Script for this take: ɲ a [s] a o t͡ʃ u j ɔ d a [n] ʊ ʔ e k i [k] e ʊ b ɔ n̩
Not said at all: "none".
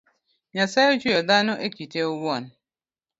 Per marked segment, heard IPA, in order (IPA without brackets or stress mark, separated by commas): s, n, t